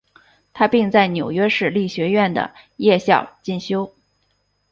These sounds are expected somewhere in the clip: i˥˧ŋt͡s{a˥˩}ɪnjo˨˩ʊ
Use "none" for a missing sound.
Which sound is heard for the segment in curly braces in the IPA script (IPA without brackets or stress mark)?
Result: a˥˩